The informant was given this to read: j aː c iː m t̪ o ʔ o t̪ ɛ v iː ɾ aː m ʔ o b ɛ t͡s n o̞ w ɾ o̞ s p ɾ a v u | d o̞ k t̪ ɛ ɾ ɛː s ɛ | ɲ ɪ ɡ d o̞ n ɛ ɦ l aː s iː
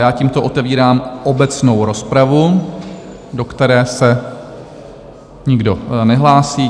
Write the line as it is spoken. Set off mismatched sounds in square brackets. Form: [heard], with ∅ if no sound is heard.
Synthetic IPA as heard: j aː c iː m t̪ o ʔ o t̪ ɛ v iː ɾ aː m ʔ o b ɛ t͡s n o̞ w ɾ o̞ s p ɾ a v u | d o̞ k t̪ ɛ ɾ ɛː s ɛ | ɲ ɪ ɡ d o̞ n ɛ ɦ l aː s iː